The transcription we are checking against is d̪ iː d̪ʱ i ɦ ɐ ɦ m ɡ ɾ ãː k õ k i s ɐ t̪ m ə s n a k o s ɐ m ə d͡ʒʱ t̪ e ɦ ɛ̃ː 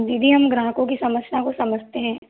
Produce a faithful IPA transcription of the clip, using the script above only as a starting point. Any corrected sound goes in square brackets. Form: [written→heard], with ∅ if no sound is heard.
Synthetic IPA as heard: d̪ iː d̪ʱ i ɦ ɐ [ɦ→∅] m ɡ ɾ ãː k õ k i s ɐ [t̪→∅] m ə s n a k o s ɐ m ə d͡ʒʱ t̪ e ɦ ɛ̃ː

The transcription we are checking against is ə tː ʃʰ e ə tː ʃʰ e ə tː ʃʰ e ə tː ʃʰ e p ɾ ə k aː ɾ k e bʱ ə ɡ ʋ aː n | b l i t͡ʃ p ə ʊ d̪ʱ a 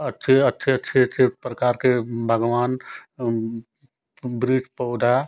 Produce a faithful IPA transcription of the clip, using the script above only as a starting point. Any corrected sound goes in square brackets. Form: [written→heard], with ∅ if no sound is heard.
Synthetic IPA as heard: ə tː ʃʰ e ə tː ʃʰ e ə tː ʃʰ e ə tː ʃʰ e p ɾ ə k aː ɾ k e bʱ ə ɡ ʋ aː n | b [l→ɾ] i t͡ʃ p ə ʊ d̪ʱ a

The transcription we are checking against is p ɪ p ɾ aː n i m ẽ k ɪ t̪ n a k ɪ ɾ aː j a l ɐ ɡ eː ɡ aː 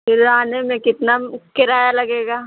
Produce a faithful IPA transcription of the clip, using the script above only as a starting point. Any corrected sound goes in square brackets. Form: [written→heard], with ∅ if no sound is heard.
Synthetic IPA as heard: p ɪ [p→∅] ɾ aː n [i→e] m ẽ k ɪ t̪ n a k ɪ ɾ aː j a l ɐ ɡ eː ɡ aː

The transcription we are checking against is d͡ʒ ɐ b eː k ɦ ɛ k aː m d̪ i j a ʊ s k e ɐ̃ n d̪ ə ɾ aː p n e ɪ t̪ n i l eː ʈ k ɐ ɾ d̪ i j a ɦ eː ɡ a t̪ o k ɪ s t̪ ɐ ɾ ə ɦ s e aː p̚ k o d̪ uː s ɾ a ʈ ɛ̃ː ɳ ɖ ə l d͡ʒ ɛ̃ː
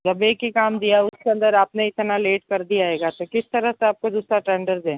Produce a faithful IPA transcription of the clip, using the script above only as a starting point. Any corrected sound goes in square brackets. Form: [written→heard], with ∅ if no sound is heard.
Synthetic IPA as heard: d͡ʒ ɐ b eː k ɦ [ɛ→i] k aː m d̪ i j a ʊ s k e ɐ̃ n d̪ ə ɾ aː p n e ɪ t̪ n [i→a] l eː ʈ k ɐ ɾ d̪ i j a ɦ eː ɡ a t̪ o k ɪ s t̪ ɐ ɾ ə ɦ s e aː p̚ k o d̪ uː s ɾ a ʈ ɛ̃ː ɳ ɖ ə [l→ɾ] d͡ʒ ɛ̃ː

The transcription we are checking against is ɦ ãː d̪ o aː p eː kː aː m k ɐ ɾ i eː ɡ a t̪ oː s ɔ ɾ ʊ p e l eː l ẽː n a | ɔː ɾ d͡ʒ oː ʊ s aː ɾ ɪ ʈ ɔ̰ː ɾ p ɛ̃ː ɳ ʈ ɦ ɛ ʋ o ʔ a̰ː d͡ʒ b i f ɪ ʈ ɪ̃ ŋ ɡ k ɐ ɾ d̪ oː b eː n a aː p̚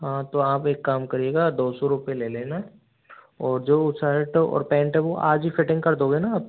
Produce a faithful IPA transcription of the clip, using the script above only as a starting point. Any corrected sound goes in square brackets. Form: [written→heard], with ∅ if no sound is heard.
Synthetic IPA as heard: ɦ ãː [d̪→t̪] o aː p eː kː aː m k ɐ ɾ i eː ɡ a [t̪→d̪] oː s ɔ ɾ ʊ p e l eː l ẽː n a | ɔː ɾ d͡ʒ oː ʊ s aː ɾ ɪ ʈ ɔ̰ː ɾ p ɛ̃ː ɳ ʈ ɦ ɛ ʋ o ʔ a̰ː d͡ʒ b i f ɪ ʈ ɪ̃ ŋ ɡ k ɐ ɾ d̪ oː [b→ɡ] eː n a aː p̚

